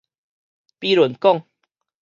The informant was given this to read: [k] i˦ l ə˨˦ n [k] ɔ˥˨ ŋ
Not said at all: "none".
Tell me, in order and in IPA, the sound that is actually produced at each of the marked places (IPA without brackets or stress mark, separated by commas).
p, k